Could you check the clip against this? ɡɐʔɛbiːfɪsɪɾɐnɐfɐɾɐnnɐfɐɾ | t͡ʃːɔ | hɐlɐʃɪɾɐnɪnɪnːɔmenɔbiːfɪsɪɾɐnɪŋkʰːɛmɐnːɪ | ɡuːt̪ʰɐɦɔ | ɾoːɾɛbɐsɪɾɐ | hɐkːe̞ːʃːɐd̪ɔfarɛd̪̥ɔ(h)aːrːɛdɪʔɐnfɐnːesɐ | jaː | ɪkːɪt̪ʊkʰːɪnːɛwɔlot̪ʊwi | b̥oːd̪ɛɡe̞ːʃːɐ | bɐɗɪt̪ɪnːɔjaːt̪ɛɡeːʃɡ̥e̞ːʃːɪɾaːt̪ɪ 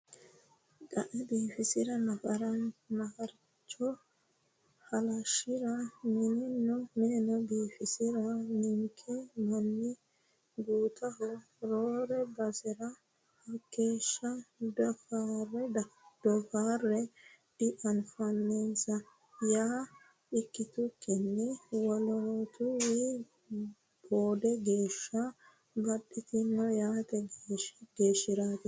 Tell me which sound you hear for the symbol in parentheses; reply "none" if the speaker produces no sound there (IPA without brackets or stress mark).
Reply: f